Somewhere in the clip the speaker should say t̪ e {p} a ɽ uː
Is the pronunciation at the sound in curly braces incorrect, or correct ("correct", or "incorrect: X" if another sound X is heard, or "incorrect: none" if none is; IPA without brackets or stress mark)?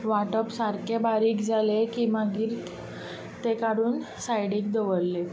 incorrect: k